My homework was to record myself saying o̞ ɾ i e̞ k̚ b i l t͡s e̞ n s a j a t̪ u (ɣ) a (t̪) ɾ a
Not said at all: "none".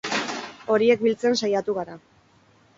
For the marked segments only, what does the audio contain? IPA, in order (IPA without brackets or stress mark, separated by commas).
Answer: ɣ, none